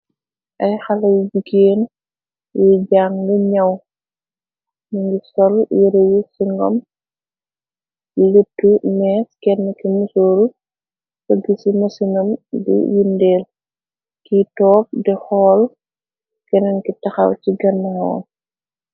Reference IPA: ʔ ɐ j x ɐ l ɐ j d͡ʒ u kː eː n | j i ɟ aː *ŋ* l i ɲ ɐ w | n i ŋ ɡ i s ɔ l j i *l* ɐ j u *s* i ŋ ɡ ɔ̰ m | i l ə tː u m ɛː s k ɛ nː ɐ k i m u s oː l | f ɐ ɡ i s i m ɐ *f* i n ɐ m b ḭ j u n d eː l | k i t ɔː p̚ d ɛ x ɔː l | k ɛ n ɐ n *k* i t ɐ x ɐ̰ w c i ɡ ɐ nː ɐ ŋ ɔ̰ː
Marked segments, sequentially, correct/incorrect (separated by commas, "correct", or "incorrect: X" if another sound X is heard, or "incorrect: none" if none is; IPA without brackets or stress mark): correct, incorrect: ɾ, correct, incorrect: s, correct